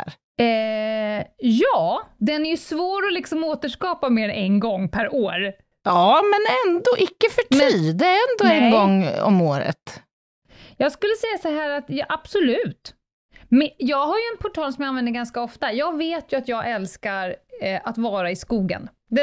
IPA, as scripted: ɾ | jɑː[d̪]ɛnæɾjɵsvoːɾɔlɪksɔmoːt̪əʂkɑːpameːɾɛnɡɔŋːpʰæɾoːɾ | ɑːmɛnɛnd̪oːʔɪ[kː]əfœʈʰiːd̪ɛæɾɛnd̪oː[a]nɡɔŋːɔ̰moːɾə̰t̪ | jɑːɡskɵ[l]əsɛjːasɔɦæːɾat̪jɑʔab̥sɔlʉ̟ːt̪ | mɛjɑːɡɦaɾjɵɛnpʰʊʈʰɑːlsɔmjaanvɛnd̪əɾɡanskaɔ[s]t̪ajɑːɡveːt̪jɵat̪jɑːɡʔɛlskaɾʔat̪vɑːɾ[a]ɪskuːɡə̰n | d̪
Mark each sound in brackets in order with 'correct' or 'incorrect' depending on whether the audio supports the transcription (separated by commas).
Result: correct, correct, incorrect, incorrect, incorrect, correct